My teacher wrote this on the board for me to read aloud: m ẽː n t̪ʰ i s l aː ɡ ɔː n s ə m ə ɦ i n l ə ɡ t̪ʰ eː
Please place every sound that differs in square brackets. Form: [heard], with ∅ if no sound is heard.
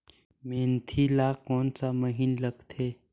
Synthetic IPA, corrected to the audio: m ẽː n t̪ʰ i [∅] l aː [k] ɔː n s [a] m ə ɦ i n l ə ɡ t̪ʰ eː